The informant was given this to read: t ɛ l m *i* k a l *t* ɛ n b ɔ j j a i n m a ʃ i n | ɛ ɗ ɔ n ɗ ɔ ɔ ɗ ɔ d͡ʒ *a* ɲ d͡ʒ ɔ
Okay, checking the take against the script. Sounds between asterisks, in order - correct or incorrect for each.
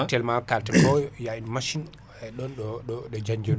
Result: incorrect, correct, correct

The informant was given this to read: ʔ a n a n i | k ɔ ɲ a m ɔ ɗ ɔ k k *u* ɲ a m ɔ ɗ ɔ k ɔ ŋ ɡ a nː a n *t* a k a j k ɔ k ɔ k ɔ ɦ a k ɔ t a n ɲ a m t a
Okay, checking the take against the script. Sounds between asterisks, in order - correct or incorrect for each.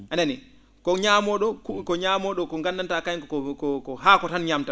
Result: incorrect, correct

